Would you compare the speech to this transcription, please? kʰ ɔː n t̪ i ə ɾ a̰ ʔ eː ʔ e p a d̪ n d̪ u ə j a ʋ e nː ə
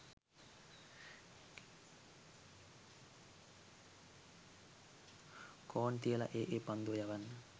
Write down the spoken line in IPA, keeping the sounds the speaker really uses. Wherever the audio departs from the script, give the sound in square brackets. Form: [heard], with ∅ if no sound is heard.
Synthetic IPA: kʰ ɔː n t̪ i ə [l] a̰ ʔ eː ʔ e p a [∅] n d̪ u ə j a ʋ [a] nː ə